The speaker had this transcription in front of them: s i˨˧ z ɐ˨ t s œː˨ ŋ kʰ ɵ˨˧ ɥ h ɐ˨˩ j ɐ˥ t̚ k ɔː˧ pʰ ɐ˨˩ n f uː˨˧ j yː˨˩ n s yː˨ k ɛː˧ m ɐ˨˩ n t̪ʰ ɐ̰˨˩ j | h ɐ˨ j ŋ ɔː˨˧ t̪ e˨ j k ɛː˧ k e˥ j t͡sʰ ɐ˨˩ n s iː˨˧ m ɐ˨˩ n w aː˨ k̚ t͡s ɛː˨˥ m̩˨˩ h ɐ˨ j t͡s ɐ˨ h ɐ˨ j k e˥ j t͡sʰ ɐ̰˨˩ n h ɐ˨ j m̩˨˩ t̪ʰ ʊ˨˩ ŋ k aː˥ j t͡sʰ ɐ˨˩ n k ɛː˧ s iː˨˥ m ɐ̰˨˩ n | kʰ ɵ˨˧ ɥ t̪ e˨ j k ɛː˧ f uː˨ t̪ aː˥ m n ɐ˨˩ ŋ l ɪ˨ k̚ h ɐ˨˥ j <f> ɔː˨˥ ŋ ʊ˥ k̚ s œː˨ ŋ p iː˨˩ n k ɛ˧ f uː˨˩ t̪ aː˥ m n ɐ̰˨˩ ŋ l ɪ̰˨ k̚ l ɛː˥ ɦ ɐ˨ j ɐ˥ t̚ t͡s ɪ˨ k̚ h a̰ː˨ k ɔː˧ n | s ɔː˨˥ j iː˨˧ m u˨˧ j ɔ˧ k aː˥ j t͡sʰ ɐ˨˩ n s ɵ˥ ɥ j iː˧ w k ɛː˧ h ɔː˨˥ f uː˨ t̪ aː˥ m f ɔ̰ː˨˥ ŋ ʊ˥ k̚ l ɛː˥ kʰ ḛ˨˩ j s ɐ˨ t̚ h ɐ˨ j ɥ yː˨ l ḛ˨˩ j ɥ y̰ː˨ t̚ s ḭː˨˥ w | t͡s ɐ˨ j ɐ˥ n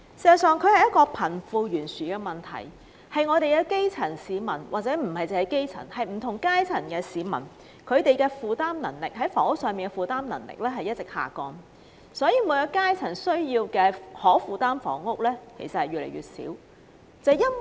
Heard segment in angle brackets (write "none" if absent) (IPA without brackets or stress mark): f